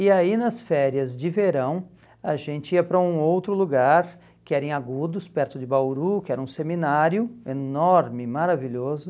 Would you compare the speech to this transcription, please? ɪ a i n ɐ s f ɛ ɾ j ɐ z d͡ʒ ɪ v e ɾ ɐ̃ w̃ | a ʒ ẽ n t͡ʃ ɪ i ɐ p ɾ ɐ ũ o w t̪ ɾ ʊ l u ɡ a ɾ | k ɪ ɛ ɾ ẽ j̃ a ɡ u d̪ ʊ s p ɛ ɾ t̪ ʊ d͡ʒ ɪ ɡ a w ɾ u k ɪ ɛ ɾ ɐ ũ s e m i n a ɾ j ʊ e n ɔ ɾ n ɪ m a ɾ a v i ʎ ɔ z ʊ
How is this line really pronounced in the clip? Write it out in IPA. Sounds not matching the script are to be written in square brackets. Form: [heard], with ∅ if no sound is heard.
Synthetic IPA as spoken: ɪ a i n ɐ s f ɛ ɾ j ɐ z d͡ʒ ɪ v e ɾ ɐ̃ w̃ | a ʒ ẽ n t͡ʃ ɪ i ɐ p ɾ ɐ ũ o w t̪ ɾ ʊ l u ɡ a ɾ | k ɪ ɛ ɾ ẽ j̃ a ɡ u d̪ ʊ s p ɛ ɾ t̪ ʊ d͡ʒ ɪ [b] a w ɾ u k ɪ ɛ ɾ ɐ ũ s e m i n a ɾ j ʊ e n ɔ ɾ [m] ɪ m a ɾ a v i ʎ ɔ z ʊ

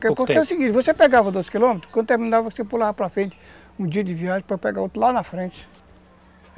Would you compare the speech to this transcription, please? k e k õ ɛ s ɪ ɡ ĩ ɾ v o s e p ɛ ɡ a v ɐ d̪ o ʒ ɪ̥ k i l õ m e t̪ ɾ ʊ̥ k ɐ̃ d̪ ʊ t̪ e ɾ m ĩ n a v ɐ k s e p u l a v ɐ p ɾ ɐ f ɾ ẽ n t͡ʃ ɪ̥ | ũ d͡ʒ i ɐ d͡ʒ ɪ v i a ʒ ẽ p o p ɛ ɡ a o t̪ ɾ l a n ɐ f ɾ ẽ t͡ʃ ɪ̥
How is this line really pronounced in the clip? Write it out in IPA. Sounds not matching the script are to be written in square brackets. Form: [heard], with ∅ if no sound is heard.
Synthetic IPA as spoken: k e k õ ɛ s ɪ ɡ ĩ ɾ v o s e p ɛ ɡ a v ɐ d̪ o [z] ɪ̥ k i l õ m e t̪ ɾ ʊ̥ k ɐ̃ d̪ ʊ t̪ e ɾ m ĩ n a v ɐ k s e p u l a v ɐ p ɾ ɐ f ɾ ẽ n t͡ʃ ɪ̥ | ũ d͡ʒ i ɐ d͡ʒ ɪ v i a ʒ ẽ p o p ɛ ɡ a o t̪ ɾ l a n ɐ f ɾ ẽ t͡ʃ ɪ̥

